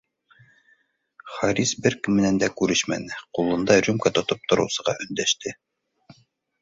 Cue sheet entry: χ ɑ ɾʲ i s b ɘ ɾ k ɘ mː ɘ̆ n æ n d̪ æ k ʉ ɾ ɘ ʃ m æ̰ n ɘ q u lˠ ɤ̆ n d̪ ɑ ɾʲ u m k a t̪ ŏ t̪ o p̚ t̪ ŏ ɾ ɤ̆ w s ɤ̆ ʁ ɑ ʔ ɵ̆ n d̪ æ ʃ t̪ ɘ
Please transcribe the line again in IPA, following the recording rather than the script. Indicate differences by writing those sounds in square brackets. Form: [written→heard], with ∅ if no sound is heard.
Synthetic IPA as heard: χ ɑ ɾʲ i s b ɘ ɾ k ɘ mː ɘ̆ n æ n d̪ æ k ʉ ɾ ɘ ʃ m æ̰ n ɘ q u lˠ ɤ̆ n d̪ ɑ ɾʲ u m k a t̪ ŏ t̪ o p̚ t̪ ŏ ɾ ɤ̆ w s ɤ̆ ʁ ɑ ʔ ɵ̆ n d̪ æ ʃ t̪ ɘ